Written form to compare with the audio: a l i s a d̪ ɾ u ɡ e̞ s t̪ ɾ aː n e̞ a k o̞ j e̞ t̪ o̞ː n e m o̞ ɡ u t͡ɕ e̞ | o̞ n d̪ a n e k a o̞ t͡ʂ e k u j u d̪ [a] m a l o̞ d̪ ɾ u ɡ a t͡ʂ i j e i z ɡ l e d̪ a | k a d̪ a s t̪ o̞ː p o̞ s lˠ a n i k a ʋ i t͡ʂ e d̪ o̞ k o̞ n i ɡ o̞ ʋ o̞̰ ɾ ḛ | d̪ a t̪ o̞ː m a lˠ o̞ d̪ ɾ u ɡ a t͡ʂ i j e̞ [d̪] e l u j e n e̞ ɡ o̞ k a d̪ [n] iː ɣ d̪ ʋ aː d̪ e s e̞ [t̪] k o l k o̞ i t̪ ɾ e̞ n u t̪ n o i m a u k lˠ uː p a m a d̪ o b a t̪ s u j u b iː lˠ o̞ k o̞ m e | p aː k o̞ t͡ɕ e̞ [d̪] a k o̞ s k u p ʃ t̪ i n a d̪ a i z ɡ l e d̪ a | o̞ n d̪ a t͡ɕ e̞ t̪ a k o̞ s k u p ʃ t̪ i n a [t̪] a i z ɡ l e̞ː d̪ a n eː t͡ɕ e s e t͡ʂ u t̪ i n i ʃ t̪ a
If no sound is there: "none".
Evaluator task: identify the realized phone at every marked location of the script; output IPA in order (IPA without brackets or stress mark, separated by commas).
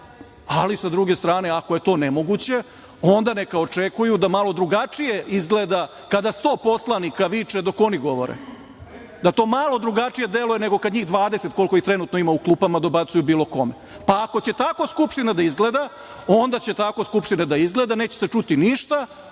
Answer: a, d̪, ɲ, t̪, t̪, d̪